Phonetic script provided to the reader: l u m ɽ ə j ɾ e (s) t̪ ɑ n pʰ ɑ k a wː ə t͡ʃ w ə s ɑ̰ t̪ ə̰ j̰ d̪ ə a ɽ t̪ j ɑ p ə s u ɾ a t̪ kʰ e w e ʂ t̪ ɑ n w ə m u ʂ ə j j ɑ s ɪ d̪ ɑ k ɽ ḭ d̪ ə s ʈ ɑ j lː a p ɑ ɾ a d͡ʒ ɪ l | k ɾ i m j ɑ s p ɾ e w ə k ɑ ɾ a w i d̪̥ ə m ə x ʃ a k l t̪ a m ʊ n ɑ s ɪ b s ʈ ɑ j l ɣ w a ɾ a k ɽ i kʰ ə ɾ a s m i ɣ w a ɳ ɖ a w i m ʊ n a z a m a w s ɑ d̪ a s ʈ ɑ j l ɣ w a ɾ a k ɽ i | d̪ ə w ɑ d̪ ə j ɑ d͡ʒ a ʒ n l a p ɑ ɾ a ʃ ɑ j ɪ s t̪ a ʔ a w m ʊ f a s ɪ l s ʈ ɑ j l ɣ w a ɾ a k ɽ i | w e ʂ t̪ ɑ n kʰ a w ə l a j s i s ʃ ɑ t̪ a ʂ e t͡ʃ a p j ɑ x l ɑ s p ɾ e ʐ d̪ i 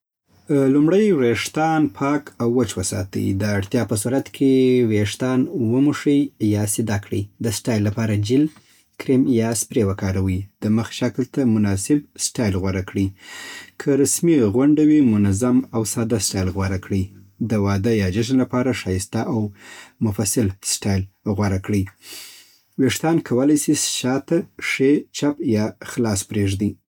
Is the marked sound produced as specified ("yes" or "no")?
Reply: no